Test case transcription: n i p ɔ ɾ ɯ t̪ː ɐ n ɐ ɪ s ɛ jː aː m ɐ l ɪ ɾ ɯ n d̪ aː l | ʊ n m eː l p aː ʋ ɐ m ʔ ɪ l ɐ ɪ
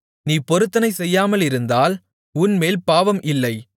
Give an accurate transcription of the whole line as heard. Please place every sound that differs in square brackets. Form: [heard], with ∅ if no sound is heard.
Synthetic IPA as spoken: n [iː] p ɔ ɾ ɯ t̪ː ɐ n ɐ ɪ s ɛ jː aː m ɐ l ɪ ɾ ɯ n d̪ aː l | ʊ n m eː l p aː ʋ ɐ m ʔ ɪ [lː] ɐ ɪ